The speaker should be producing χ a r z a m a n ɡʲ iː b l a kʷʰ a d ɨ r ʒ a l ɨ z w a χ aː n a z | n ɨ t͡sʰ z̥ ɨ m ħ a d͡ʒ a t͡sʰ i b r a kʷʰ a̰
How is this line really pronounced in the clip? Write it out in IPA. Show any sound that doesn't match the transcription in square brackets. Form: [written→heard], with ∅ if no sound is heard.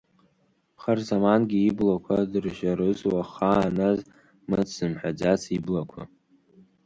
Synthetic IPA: χ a r z a m a n ɡʲ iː b l a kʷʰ a d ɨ r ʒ a [l→ɾ] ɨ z w a χ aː n a z | [n→m] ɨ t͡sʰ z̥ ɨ m ħ a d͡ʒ a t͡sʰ i b [r→l] a kʷʰ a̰